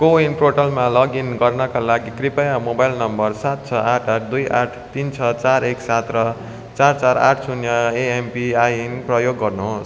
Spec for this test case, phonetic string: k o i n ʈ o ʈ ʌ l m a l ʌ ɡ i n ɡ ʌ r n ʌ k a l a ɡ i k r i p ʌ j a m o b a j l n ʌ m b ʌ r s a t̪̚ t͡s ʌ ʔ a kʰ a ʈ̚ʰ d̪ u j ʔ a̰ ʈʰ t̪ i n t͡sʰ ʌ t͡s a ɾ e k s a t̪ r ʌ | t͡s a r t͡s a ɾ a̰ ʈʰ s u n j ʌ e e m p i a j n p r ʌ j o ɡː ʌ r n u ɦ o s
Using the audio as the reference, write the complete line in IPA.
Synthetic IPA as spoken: k o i n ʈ o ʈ ʌ l m a l ʌ ɡ i n ɡ ʌ r n ʌ k a l a ɡ i k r i p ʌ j a m o b a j l n ʌ m b ʌ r s a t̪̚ t͡sʰ ʌ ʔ a ʈʰ a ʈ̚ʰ d̪ u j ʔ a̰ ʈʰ t̪ i n t͡sʰ ʌ t͡s a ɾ e k s a t̪ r ʌ | t͡s a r t͡s a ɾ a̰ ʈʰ s u n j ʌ e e m p i a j n p r ʌ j o ɡː ʌ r n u ɦ o s

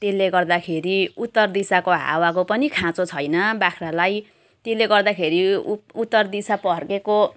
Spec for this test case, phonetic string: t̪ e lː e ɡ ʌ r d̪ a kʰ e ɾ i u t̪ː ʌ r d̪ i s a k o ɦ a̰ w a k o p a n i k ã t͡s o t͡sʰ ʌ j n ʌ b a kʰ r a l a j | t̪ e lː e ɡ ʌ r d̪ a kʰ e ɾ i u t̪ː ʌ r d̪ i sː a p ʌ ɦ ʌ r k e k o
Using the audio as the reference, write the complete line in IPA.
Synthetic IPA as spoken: t̪ e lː e ɡ ʌ r d̪ a kʰ e ɾ i u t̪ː ʌ r d̪ i s a k o ɦ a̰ w a k o p ʌ n i kʰ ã t͡s o t͡sʰ ʌ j n ʌ b a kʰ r a l a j | t̪ e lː e ɡ ʌ r d̪ a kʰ e ɾ i u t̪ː ʌ r d̪ i s a p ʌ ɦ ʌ r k e k o

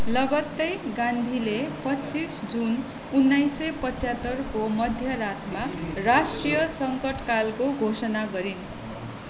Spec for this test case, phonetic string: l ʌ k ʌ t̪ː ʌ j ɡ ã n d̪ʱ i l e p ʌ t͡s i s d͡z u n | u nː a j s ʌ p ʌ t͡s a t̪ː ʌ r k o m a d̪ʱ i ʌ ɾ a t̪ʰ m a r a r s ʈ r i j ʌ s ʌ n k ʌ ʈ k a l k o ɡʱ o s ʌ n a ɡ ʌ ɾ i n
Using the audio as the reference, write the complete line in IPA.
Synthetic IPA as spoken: l ʌ ɡ ʌ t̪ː ʌ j ɡ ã n d̪ʱ i l e p ʌ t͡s i s d͡z u n | u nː a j s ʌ p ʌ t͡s a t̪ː ʌ r k o m ʌ d̪ʱ j ʌ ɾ a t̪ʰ m a r a s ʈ r i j ʌ s ʌ ŋ k ʌ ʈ k a l k o ɡʱ o s ʌ n a ɡ ʌ ɾ i n

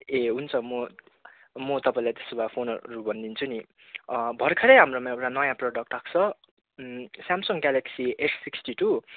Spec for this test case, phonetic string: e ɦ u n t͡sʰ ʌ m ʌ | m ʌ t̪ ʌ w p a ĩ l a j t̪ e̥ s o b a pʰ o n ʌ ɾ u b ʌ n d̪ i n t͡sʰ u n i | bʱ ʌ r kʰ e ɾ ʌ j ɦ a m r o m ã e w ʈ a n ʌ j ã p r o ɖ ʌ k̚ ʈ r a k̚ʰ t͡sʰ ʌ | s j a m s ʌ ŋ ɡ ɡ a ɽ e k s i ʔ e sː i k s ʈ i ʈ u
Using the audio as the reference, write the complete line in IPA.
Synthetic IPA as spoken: e ɦ u n t͡sʰ ʌ m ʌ | m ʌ t̪ ʌ p a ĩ l a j t̪ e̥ s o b a pʰ o n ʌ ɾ u b ʌ n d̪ i n t͡sʰ u n i | bʱ ʌ r kʰ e ɾ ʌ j ɦ a m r o m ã e w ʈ a n ʌ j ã p r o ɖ ʌ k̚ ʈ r a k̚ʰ t͡sʰ ʌ | s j a m s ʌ ŋ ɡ ɡ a l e k s i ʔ e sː i k s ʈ i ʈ u

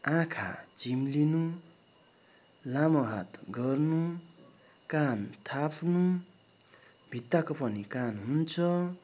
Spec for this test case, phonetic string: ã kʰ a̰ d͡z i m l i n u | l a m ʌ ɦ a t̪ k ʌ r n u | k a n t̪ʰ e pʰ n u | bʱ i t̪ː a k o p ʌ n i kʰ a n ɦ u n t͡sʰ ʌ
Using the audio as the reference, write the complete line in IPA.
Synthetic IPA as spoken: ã kʰ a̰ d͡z i m l i n u | l a m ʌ ɦ a t̪ ɡ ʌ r n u | k a n t̪ʰ a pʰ n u | bʱ i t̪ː a k o p ʌ n i k a n ɦ u n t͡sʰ ʌ

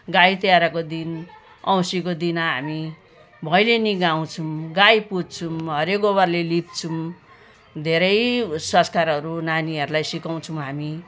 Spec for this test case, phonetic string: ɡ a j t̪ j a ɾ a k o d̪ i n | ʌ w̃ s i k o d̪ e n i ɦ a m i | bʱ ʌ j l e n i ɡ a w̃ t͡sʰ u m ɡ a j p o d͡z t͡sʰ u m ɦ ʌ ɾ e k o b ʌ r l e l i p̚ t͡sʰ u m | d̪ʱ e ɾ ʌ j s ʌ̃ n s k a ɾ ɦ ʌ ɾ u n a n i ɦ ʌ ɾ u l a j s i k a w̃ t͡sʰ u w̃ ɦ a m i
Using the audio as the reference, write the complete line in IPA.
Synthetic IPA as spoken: ɡ a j t̪ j a ɾ a k o d̪ i n | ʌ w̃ s i k o d̪ i n a ɦ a m i | bʱ ʌ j l e n i ɡ a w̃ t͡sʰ u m ɡ a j p u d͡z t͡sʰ u m ɦ ʌ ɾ e k o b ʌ r l e l i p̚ t͡sʰ u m | d̪ʱ e ɾ ʌ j s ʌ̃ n s k a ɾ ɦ ʌ ɾ u n a n i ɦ ʌ ɾ u l a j s i k a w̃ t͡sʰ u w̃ ɦ a m i

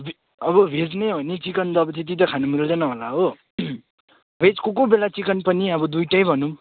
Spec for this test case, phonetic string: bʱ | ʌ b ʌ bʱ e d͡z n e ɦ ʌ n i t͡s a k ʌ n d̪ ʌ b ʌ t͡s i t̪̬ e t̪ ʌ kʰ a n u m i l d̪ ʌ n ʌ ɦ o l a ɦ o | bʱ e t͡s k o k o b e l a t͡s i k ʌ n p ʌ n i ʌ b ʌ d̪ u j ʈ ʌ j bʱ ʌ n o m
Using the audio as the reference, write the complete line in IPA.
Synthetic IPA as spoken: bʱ | ʌ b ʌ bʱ e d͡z n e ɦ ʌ n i t͡s i k ʌ n d̪ ʌ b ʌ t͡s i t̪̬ i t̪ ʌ kʰ a n u m i l d̪ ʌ n ʌ ɦ o l a ɦ o | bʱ e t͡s k o k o b e l a t͡s i k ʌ n p ʌ n i ʌ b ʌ d̪ u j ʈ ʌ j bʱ ʌ n u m

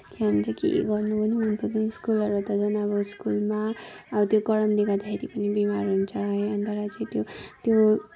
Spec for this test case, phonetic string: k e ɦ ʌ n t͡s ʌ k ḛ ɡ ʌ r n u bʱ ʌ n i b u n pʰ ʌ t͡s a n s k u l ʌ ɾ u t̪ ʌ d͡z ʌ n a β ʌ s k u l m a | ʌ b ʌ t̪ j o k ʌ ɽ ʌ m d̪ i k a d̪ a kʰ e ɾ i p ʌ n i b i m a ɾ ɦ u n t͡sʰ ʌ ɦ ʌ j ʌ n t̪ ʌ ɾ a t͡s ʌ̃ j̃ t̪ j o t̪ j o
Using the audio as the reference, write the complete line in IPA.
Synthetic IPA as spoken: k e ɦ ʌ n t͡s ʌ k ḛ ɡ ʌ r n u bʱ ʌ n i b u n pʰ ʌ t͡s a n s k u l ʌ ɾ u t̪ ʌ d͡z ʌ n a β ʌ s k u l m a | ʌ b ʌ t̪ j o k ʌ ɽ ʌ m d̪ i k a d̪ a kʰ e ɾ i p ʌ n i b i m a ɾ ɦ u n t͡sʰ ʌ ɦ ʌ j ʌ n t̪ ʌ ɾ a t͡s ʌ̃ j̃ t̪ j o t̪ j o

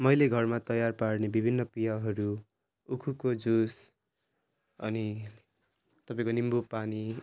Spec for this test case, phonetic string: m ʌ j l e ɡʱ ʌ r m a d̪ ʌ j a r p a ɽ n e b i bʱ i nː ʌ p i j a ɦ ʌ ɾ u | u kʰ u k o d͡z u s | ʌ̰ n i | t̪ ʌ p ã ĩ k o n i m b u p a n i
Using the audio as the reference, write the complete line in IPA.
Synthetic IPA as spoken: m ʌ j l e ɡʱ ʌ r m a t̪ ʌ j a r p a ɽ n e b i bʱ i nː ʌ p i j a ɦ ʌ ɾ u | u kʰ u k o d͡z u s | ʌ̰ n i | t̪ ʌ p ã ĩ k o n i m b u p a n i

